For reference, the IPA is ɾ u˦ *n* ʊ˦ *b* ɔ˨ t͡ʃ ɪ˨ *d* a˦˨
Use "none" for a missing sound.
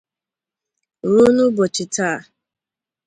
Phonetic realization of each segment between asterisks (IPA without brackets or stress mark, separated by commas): n, b, t